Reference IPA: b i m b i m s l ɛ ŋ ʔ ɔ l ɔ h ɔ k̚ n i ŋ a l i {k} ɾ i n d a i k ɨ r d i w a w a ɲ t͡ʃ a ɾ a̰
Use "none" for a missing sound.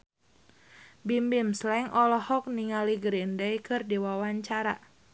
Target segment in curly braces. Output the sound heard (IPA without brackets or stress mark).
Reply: ɡ